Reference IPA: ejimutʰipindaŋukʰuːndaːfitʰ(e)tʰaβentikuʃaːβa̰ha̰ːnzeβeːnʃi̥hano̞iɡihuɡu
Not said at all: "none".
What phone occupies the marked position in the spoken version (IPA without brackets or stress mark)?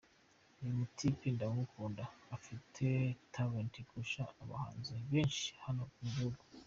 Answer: e